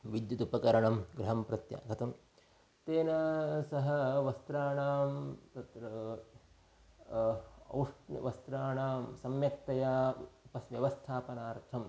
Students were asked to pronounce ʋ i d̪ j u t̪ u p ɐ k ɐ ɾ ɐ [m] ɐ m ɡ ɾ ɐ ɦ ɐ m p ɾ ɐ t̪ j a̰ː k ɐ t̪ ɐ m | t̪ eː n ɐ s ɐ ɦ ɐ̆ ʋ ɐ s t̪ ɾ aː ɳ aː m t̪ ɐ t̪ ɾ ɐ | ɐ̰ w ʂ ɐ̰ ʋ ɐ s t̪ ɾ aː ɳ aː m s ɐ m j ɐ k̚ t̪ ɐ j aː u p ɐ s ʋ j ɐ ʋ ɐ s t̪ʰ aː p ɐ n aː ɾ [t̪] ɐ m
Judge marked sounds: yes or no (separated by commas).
no, no